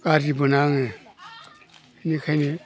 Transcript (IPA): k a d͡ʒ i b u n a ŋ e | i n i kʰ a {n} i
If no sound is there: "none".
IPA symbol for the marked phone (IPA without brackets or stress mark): n